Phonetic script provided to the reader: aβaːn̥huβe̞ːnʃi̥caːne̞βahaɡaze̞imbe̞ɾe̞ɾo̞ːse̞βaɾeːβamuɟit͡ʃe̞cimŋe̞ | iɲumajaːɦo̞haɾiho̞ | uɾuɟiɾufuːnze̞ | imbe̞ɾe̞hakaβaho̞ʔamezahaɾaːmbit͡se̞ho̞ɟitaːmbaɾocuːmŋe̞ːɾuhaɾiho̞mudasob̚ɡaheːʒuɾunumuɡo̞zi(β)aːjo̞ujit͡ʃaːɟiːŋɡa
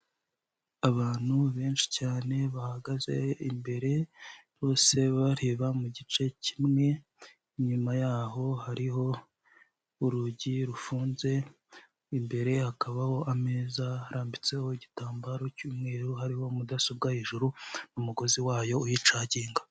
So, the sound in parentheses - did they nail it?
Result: no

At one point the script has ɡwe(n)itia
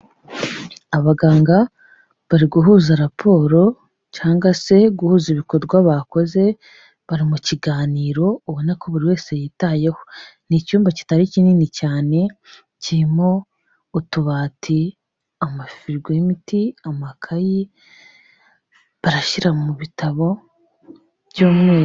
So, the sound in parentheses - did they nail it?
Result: no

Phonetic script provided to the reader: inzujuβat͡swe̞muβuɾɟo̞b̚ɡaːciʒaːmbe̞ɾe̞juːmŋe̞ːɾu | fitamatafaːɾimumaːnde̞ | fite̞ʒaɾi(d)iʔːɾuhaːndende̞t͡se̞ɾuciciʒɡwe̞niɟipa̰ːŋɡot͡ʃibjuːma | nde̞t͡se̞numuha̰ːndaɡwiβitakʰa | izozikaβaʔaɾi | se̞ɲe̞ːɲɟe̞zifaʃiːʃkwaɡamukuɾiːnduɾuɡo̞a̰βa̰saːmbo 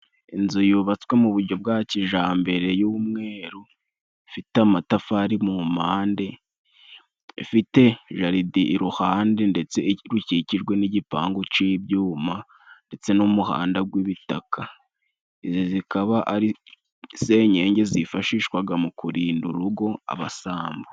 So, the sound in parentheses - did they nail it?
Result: yes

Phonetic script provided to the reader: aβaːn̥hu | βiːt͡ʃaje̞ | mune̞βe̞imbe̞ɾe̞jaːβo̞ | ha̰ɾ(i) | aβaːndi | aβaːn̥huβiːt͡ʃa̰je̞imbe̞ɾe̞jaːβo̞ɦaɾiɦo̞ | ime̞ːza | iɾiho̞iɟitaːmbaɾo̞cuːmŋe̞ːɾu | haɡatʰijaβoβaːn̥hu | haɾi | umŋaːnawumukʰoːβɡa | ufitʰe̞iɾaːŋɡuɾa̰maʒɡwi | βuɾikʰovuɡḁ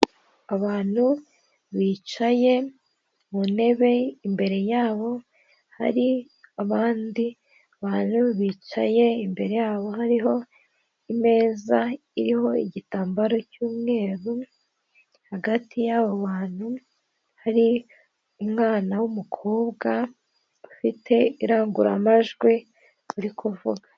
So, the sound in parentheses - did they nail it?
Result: yes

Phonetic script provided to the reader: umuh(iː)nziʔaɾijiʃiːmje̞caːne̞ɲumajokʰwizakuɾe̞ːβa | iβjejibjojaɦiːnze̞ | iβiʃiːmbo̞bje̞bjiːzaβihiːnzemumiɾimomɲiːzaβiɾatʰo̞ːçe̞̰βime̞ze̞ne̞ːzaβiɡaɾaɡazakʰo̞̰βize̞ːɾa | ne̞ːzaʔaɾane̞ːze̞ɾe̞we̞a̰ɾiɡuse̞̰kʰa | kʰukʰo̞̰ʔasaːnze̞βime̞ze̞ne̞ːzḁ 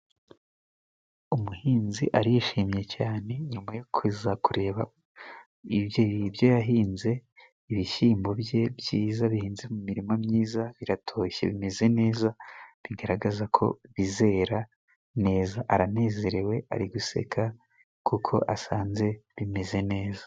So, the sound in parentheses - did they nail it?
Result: yes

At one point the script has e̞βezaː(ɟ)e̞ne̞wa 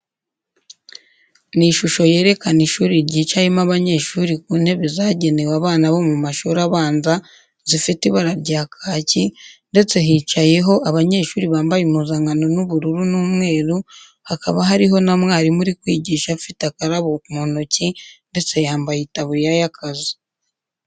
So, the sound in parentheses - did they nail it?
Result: yes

